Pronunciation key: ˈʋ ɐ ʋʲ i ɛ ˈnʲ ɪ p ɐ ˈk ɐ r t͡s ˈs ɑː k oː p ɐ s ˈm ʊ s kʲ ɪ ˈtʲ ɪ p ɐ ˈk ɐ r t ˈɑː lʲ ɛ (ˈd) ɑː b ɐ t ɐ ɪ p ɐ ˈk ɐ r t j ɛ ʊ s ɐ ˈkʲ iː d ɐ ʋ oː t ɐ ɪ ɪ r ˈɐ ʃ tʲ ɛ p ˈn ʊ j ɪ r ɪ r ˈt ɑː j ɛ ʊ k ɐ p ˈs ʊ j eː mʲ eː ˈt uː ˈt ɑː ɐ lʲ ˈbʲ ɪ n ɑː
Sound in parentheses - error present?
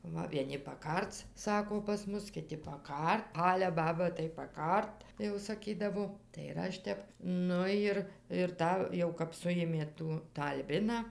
yes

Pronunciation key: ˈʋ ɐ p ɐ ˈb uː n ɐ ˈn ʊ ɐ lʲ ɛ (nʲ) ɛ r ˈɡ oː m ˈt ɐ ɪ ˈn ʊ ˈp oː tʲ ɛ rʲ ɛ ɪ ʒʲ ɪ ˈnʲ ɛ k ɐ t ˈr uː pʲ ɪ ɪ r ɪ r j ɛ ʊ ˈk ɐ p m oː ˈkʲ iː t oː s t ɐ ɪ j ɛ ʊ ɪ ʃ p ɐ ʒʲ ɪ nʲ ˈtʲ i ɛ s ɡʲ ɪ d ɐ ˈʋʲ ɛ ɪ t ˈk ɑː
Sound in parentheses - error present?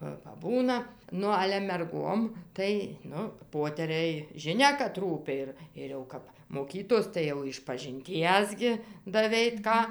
yes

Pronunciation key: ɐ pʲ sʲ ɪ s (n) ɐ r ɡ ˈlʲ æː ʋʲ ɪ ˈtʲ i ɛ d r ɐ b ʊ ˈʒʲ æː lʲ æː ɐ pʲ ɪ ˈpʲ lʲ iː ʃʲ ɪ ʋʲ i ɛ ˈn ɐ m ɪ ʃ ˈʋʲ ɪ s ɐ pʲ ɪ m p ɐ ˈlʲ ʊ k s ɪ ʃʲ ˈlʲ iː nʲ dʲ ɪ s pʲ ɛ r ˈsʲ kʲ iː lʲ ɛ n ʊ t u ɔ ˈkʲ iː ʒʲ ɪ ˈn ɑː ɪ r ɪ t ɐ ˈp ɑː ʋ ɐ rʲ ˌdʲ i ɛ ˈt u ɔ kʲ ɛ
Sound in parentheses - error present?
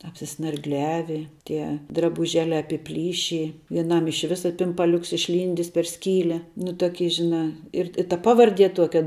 no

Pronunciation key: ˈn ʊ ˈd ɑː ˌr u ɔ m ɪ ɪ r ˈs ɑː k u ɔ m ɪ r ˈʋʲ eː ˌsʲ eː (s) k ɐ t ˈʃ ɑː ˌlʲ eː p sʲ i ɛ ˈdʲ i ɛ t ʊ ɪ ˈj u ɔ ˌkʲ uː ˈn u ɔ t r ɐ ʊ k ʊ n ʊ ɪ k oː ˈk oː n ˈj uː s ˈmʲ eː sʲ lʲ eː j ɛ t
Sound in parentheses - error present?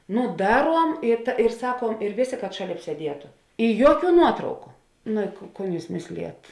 yes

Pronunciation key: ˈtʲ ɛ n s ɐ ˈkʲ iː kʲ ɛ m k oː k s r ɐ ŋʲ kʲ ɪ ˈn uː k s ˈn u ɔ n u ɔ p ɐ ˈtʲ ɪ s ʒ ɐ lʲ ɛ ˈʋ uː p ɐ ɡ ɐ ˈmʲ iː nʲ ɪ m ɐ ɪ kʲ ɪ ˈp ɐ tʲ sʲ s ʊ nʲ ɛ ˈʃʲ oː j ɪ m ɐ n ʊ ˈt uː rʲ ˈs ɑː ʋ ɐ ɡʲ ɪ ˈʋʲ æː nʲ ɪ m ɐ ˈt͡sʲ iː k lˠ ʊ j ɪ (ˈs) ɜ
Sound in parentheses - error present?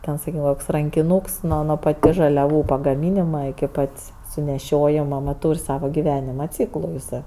no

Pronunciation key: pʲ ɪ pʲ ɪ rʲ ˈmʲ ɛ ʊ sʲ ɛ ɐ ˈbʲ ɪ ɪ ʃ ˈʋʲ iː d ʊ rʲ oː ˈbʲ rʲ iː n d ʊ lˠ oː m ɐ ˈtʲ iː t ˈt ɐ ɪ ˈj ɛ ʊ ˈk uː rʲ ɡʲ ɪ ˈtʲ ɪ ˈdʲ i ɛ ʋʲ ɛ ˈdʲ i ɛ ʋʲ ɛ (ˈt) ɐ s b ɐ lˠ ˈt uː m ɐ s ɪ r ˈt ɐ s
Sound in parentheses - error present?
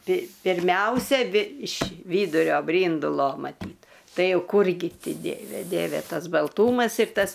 no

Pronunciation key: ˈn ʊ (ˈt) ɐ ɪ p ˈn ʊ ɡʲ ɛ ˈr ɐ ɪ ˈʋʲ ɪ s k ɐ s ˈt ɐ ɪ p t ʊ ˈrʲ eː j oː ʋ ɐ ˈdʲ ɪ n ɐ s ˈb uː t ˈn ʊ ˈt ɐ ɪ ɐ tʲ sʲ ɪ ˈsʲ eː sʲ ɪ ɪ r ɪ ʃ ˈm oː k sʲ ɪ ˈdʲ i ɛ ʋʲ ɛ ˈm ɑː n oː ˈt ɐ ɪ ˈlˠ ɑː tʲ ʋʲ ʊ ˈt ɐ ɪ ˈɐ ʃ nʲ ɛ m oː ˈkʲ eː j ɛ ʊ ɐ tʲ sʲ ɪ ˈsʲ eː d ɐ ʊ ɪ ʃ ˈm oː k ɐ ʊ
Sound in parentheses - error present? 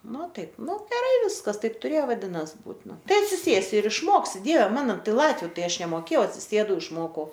no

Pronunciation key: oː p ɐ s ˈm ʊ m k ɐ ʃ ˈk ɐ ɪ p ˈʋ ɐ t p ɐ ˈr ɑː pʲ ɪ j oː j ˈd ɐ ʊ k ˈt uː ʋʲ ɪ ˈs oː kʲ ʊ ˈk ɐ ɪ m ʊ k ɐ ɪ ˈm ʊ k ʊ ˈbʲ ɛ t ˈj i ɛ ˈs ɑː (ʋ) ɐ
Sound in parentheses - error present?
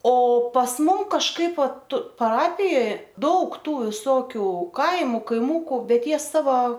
no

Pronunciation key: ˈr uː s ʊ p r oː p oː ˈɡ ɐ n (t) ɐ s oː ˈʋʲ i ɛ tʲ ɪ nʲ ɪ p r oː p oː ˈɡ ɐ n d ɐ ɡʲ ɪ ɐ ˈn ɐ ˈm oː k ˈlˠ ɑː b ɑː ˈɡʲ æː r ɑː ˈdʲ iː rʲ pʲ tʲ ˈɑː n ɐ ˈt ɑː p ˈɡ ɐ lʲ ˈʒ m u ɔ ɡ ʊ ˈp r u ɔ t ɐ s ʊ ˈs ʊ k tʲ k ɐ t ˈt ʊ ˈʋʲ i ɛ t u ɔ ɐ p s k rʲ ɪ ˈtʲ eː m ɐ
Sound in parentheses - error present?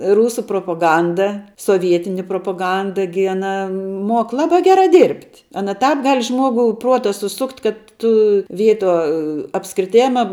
yes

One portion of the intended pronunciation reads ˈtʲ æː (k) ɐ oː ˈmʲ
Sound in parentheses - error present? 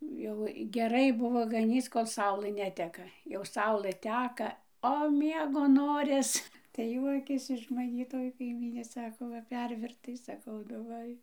no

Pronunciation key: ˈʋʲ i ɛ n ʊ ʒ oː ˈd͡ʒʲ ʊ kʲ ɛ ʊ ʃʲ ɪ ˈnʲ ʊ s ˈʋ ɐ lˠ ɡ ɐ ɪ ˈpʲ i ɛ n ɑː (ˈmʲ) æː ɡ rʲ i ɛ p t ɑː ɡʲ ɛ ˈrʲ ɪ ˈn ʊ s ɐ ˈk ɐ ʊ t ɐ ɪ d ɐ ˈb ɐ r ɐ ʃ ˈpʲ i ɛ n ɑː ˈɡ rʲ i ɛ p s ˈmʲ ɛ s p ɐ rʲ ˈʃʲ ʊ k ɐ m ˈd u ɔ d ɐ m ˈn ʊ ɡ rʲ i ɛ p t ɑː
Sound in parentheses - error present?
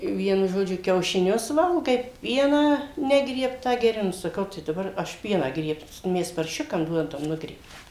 yes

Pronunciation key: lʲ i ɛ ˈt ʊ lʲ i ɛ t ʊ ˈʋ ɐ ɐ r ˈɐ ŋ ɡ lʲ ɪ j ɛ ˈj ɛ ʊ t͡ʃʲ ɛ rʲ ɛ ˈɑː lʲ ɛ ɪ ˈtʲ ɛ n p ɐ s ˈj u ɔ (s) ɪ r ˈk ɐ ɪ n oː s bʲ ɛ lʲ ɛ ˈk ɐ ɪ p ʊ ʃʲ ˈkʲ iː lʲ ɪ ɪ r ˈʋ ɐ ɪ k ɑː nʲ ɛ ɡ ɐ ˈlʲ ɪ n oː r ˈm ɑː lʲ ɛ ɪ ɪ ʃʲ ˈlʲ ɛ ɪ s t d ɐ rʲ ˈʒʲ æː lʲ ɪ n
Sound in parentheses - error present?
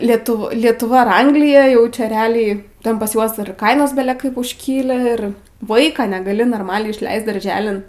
no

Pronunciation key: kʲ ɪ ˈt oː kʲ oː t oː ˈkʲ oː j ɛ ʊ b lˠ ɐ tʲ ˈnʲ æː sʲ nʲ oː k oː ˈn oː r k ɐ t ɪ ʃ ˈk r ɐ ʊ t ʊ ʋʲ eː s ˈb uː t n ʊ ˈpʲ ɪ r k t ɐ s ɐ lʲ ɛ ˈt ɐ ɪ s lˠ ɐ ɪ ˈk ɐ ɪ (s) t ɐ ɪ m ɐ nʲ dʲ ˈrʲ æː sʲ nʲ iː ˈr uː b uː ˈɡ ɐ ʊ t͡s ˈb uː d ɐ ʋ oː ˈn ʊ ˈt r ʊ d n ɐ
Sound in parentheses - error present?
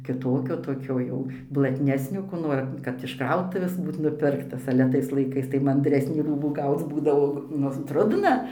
no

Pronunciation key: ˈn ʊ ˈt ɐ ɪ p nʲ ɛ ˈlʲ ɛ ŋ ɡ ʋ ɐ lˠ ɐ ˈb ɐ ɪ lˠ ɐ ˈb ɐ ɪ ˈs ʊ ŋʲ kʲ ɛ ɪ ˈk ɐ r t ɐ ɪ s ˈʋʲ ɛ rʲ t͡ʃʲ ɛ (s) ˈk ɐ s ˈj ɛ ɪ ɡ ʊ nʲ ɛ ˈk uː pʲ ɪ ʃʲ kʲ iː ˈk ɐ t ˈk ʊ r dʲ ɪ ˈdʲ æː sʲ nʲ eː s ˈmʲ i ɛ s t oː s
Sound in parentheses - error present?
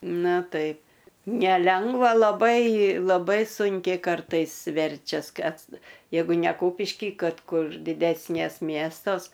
no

